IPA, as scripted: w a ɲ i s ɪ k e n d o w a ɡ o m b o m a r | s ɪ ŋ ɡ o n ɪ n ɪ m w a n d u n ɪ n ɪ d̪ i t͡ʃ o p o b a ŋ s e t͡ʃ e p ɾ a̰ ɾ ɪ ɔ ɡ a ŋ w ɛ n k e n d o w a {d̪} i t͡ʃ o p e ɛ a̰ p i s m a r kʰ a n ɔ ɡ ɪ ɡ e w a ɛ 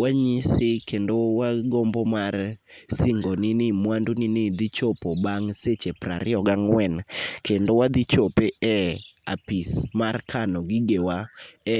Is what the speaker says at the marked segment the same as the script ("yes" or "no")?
yes